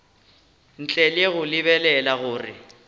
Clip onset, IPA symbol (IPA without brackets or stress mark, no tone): n̩